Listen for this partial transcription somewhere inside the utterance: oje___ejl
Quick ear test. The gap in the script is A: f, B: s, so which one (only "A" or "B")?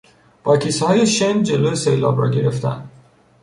B